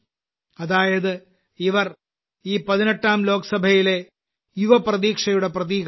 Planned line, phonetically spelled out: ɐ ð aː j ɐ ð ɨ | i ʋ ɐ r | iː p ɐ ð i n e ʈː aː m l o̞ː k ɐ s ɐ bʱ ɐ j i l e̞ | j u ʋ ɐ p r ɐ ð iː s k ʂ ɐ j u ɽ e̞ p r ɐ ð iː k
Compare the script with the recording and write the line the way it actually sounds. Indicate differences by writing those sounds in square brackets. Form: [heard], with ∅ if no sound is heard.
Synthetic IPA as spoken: ɐ ð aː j ɐ ð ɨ | i ʋ ɐ r | iː p ɐ ð i n e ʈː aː m l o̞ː k ɐ s ɐ bʱ ɐ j i l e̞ | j u ʋ ɐ p r ɐ ð iː [∅] k ʂ ɐ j u ɽ e̞ p r ɐ ð iː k

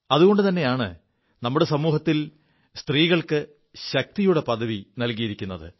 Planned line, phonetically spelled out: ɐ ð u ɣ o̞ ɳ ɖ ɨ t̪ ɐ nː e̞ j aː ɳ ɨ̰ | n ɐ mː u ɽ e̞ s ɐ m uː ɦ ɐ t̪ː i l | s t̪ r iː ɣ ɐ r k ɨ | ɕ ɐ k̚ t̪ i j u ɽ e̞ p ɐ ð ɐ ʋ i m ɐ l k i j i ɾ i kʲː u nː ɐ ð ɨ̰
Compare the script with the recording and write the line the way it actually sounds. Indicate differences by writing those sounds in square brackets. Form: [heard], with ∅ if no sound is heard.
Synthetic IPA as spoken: ɐ ð u ɣ o̞ ɳ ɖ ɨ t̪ ɐ nː e̞ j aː ɳ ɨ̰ | n ɐ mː u ɽ e̞ s ɐ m uː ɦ ɐ t̪ː i l | s t̪ r iː ɣ ɐ [ɭ] k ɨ | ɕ ɐ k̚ t̪ i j u ɽ e̞ p ɐ ð ɐ ʋ i [n] ɐ l k i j i ɾ i kʲː u nː ɐ ð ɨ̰

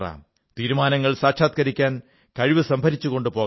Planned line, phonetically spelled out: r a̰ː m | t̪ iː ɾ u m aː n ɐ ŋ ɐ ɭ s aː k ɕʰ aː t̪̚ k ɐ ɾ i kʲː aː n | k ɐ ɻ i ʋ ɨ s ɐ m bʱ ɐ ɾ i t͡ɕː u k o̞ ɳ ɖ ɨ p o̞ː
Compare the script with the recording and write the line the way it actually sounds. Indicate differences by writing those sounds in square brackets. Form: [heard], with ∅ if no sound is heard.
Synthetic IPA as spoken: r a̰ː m | t̪ iː ɾ u m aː n ɐ [ŋː] ɐ ɭ s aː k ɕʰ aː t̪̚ k ɐ ɾ i kʲː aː n | k ɐ ɻ i ʋ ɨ s ɐ m bʱ ɐ ɾ i t͡ɕː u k o̞ ɳ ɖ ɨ p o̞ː

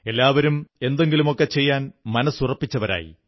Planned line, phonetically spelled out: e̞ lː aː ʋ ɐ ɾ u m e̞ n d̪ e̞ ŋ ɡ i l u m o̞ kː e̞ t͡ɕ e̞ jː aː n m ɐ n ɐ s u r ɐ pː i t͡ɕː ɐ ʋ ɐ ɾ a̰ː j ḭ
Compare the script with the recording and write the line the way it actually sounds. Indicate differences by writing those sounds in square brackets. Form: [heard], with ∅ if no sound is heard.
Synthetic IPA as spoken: e̞ lː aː ʋ ɐ ɾ u m e̞ n d̪ e̞ ŋ ɡ i l u m o̞ kː e̞ t͡ɕ e̞ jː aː n m ɐ n ɐ s u r ɐ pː i t͡ɕː ɐ ʋ ɐ ɾ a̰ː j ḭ

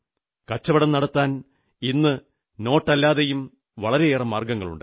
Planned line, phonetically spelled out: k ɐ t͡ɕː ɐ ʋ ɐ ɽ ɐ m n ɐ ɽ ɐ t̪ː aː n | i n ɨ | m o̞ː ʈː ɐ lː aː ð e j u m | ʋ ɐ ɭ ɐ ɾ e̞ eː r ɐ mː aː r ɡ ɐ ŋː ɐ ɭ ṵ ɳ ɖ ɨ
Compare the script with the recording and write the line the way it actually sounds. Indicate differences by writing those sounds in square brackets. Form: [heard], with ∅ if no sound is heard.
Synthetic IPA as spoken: k ɐ t͡ɕː ɐ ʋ ɐ ɽ ɐ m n ɐ ɽ ɐ t̪ː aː n | i [nː] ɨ | [n] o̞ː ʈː ɐ lː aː ð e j u m | ʋ ɐ ɭ ɐ ɾ e̞ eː r ɐ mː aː r ɡ ɐ ŋː ɐ ɭ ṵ ɳ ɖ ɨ

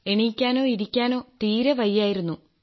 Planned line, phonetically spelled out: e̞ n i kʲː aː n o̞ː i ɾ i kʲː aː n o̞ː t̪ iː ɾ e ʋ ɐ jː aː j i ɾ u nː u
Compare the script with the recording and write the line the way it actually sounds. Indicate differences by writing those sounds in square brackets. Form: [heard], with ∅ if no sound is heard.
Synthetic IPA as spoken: e̞ [ɳ] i kʲː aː n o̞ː i ɾ i kʲː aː n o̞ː t̪ iː ɾ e ʋ ɐ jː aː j i ɾ u nː u

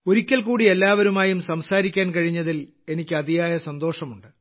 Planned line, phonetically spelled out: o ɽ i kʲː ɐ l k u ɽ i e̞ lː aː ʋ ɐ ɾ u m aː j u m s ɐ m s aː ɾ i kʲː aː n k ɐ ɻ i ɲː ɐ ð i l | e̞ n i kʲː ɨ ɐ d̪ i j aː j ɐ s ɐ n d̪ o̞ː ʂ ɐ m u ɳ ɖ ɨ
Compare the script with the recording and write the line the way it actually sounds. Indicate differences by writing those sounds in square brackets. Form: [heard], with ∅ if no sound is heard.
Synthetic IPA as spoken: o [ɾ] i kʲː ɐ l k [uː] ɽ i e̞ lː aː ʋ ɐ ɾ u m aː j u m s ɐ m s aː ɾ i kʲː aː n k ɐ ɻ i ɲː ɐ ð i l | e̞ n i kʲː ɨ ɐ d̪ i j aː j ɐ s ɐ n d̪ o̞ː ʂ ɐ m u ɳ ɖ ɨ

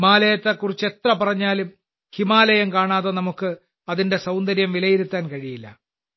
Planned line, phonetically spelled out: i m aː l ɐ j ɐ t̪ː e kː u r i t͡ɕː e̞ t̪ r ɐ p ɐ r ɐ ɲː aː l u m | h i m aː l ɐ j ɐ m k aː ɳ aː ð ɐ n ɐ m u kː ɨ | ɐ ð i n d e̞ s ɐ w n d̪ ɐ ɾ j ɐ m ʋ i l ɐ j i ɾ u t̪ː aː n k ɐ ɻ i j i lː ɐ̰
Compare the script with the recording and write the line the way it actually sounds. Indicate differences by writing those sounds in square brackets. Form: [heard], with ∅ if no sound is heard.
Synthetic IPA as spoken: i m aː l ɐ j ɐ t̪ː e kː u r i t͡ɕː e̞ t̪ r ɐ p ɐ r ɐ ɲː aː l u m | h i m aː l ɐ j ɐ m k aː ɳ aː ð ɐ n ɐ m u kː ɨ | ɐ ð i n d e̞ s ɐ w n d̪ ɐ ɾ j ɐ m ʋ i l ɐ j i ɾ u t̪ː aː n k ɐ ɻ i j i lː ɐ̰

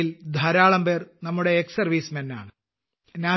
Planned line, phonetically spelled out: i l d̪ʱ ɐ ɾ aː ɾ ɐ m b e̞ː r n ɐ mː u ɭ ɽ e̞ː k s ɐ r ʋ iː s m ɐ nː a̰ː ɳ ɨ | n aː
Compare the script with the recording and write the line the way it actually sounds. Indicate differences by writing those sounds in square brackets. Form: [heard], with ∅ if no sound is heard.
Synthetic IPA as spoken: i l d̪ʱ ɐ ɾ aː [ɭ] ɐ m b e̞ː r n ɐ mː u [∅] ɽ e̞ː k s ɐ r ʋ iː s m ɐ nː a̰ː ɳ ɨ | n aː

